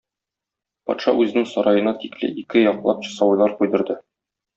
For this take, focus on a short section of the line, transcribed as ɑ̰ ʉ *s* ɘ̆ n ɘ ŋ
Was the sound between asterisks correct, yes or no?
no